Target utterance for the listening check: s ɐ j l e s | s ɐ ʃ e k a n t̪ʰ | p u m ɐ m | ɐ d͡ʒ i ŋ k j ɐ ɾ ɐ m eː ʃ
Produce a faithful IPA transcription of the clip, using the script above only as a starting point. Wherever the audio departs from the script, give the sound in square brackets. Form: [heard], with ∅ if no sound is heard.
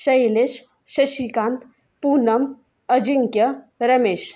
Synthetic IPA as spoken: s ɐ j l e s | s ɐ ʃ [i] k a n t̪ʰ | p u [n] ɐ m | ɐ d͡ʒ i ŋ k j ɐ ɾ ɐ m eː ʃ